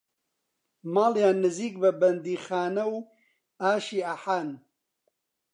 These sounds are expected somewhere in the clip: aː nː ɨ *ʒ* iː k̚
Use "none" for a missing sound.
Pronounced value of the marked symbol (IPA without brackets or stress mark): z